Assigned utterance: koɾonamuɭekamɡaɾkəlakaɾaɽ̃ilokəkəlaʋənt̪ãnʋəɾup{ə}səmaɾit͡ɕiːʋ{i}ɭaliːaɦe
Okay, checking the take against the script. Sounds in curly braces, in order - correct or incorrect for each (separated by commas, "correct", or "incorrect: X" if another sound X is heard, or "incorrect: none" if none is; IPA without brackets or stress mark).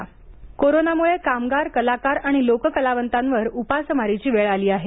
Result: incorrect: a, incorrect: e